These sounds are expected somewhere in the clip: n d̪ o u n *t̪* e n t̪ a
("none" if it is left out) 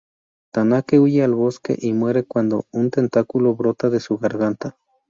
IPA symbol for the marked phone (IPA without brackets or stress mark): t̪